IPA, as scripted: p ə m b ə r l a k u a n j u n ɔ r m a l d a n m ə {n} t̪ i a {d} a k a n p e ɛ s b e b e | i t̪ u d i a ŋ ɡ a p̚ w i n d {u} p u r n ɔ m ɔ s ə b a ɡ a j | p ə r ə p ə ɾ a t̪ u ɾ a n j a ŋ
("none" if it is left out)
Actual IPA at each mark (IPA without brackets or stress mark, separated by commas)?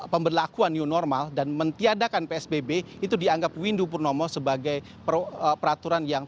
n, d, u